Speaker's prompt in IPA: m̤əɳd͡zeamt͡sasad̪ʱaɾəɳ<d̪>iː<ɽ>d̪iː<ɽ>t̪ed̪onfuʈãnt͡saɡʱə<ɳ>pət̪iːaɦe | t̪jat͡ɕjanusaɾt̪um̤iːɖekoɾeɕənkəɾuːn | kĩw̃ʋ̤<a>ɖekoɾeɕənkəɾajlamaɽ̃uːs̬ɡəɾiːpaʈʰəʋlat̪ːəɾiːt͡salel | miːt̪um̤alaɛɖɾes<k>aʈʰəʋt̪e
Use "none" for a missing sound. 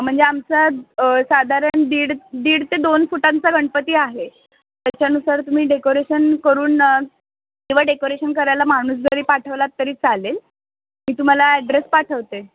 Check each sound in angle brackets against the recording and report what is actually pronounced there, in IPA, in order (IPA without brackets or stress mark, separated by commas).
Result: d̪, ɽ, ɽ, ɳ, a, p